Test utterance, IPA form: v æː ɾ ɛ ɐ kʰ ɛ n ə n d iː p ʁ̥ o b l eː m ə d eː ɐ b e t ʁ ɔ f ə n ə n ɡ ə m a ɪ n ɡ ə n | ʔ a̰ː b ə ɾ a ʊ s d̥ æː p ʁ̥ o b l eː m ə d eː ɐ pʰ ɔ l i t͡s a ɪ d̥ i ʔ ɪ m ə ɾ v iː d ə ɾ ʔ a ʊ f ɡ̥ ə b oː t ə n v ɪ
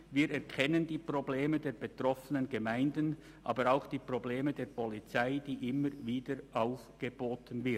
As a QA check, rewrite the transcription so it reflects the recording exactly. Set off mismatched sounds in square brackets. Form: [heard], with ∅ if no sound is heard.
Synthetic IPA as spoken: v [iː] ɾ ɛ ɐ kʰ ɛ n ə n d iː p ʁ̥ o b l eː m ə d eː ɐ b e t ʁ ɔ f ə n ə n ɡ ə m a ɪ n [d] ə n | ʔ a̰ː b ə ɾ a ʊ [x] d̥ [iː] p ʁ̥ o b l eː m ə d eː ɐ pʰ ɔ l i t͡s a ɪ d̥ [iː] ʔ ɪ m ə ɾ v iː d ə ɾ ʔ a ʊ f ɡ̥ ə b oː t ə n v ɪ